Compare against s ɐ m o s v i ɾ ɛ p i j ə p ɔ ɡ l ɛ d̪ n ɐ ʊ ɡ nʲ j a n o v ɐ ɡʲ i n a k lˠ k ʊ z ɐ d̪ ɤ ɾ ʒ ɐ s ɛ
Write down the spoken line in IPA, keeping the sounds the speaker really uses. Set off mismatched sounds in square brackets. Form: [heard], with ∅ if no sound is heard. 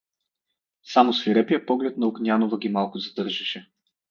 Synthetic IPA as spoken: s [a] m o s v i ɾ ɛ p i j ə p ɔ ɡ l ɛ [t̪] n ɐ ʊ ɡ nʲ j a n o v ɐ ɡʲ i [m] a [∅] lˠ k ʊ z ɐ d̪ ɤ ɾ ʒ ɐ [ʃ] ɛ